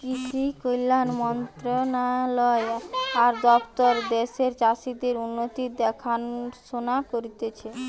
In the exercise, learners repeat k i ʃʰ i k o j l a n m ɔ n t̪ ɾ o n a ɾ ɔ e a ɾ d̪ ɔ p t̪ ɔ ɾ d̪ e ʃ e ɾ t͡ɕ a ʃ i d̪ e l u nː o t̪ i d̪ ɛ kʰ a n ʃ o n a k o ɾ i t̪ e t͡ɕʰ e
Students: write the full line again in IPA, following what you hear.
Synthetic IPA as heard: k i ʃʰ i k o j l a n m ɔ n t̪ ɾ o n a l ɔ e a ɾ d̪ ɔ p t̪ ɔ ɾ d̪ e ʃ e ɾ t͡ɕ a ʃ i d̪ e ɾ u nː o t̪ i d̪ ɛ kʰ a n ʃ o n a k o ɾ i t̪ e t͡ɕʰ e